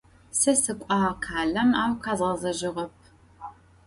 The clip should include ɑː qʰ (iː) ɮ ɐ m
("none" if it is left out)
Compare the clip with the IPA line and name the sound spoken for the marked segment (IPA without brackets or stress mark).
aː